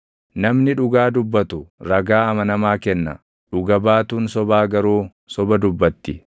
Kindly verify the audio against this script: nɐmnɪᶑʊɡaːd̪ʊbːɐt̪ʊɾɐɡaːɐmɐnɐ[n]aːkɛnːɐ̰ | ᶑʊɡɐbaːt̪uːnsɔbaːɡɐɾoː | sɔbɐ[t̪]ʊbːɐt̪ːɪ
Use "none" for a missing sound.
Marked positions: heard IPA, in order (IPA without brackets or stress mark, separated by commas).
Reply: m, d̪